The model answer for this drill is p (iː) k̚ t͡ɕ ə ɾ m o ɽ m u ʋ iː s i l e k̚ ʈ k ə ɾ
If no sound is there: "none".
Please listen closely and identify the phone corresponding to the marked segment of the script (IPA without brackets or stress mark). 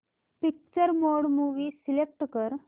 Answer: i